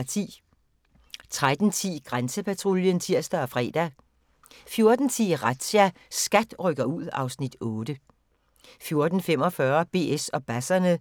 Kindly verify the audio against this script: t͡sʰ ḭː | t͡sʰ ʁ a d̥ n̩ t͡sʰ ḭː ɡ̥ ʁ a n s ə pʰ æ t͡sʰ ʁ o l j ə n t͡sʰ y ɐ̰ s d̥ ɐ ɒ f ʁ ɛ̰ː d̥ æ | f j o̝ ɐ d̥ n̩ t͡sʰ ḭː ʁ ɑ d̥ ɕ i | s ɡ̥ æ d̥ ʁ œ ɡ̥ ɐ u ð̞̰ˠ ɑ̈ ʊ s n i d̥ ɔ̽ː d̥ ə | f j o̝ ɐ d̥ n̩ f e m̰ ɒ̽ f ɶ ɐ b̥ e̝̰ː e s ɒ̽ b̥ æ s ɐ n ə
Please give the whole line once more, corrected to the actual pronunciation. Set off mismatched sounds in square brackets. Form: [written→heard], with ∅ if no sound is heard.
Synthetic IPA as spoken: t͡sʰ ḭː | t͡sʰ ʁ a d̥ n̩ t͡sʰ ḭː ɡ̥ ʁ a n s ə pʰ æ t͡sʰ ʁ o l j ə n t͡sʰ [y→i] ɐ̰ s d̥ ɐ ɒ f ʁ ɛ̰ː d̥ æ | f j o̝ ɐ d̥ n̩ t͡sʰ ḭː ʁ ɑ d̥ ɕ [i→æ] | s ɡ̥ æ d̥ ʁ œ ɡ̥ ɐ u ð̞̰ˠ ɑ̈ ʊ s n i d̥ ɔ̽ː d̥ ə | f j o̝ ɐ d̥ n̩ f e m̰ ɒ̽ f ɶ ɐ b̥ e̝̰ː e s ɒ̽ b̥ æ s ɐ n ə